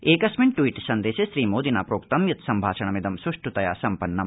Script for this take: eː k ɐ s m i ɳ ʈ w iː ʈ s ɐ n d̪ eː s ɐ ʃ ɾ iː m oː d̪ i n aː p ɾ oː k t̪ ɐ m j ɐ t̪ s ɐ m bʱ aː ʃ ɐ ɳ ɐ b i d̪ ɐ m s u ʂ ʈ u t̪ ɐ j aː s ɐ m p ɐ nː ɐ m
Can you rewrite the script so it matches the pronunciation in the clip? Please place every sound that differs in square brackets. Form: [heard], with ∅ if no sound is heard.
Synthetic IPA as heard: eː k ɐ s m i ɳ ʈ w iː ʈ s ɐ n d̪ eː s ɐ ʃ ɾ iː m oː d̪ i n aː p ɾ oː k t̪ ɐ m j ɐ t̪ s ɐ m bʱ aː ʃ ɐ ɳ ɐ [m] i d̪ ɐ m s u ʂ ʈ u t̪ ɐ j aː s ɐ m p ɐ nː ɐ m